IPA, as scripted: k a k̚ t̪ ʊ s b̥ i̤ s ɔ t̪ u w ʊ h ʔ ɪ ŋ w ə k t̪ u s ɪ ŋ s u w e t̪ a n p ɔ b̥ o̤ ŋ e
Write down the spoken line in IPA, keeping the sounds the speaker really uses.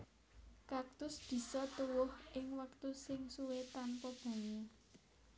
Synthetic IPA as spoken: k a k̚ t̪ ʊ s b̥ i̤ s ɔ t̪ u w ʊ h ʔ ɪ ŋ w ə k t̪ u s ɪ ŋ s u w e t̪ a n p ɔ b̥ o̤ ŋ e